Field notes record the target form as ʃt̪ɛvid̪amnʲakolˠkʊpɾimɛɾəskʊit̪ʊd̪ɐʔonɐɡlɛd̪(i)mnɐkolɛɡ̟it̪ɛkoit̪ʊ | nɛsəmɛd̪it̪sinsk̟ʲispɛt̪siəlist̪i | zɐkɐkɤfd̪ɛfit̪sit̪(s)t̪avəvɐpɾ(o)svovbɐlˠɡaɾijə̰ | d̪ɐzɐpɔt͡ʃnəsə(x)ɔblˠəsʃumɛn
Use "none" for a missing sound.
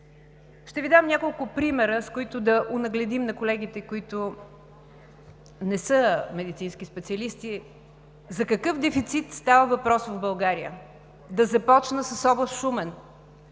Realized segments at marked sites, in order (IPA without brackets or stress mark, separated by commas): i, s, ɔ, s